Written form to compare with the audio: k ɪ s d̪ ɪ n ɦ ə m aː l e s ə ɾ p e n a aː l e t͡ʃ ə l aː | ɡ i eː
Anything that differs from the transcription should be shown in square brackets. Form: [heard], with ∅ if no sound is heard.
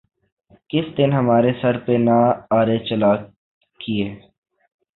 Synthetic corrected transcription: k ɪ s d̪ ɪ n ɦ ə m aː [ɾ] e s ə ɾ p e n a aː [ɾ] e t͡ʃ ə l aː | [k] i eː